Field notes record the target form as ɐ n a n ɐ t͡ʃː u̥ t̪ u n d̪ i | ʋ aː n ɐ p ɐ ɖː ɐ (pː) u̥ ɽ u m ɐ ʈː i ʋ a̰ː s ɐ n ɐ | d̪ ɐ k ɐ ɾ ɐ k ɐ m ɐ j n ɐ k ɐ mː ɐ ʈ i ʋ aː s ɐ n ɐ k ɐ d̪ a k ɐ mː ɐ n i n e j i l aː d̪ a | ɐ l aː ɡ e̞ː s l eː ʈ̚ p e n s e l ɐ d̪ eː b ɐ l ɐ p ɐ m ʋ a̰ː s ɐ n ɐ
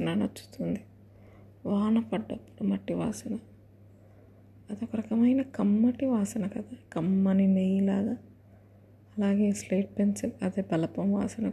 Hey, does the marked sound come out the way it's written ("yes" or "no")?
yes